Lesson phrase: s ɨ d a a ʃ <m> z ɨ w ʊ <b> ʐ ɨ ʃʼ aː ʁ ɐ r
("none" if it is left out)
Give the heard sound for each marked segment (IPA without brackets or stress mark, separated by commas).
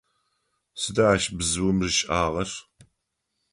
b, m